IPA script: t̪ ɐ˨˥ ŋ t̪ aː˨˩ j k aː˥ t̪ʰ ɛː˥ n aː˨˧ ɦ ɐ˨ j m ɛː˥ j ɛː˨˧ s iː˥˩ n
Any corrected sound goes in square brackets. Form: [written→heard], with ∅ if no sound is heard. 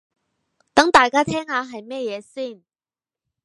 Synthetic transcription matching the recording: t̪ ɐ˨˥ ŋ t̪ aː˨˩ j k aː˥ t̪ʰ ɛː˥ [n→ŋ] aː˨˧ ɦ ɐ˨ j m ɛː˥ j ɛː˨˧ s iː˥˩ n